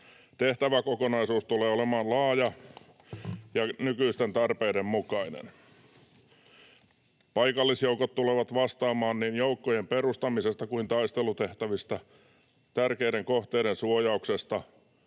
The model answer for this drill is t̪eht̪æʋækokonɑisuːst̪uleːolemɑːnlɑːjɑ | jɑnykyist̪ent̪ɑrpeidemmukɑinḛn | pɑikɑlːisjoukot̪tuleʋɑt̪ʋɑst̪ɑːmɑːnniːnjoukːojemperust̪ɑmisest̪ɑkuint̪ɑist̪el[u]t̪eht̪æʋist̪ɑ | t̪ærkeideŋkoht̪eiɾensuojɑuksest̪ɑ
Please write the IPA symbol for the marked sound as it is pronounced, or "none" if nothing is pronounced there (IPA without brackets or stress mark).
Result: u